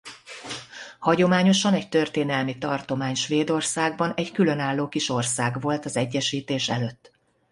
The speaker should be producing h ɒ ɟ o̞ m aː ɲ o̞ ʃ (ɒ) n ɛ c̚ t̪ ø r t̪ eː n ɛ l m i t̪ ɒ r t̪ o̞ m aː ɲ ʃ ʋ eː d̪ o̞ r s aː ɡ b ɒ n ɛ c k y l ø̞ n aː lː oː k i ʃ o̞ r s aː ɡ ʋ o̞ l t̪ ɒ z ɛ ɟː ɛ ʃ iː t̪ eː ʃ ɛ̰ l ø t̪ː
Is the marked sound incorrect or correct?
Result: correct